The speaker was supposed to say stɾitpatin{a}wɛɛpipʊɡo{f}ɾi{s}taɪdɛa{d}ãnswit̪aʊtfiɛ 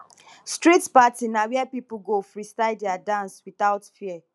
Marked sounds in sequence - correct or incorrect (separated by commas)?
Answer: correct, correct, correct, correct